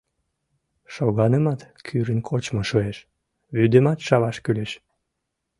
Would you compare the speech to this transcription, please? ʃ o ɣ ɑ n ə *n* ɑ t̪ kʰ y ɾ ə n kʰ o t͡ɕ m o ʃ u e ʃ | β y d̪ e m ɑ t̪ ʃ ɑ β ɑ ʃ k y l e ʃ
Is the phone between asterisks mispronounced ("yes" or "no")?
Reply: yes